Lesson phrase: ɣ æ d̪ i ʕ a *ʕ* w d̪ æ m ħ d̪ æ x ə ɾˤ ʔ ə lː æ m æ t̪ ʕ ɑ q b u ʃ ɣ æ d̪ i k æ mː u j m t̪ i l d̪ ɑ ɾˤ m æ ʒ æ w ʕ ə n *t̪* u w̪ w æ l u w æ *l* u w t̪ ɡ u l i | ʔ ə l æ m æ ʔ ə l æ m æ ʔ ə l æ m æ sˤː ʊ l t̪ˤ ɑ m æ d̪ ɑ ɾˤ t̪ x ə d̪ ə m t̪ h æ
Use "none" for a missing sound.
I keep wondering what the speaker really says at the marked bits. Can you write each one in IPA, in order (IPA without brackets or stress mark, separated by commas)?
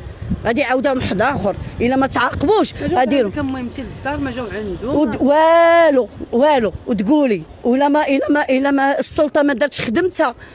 none, d̪, l